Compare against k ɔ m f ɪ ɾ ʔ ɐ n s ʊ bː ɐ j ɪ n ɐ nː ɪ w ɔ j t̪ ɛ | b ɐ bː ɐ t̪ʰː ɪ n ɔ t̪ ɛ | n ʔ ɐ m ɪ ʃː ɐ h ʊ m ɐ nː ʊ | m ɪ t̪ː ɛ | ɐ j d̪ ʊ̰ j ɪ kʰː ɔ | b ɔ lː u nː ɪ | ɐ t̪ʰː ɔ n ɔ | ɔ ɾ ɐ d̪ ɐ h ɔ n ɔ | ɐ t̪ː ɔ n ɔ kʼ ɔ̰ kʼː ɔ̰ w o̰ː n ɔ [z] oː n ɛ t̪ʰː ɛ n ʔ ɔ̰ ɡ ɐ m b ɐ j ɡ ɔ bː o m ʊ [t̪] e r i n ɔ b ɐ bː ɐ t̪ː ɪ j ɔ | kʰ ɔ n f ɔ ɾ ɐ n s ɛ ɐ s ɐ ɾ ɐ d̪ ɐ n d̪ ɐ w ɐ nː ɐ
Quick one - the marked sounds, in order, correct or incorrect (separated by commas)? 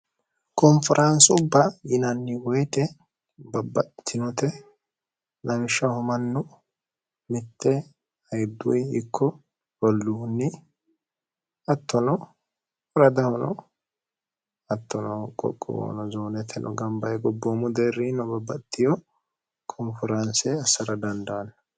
correct, incorrect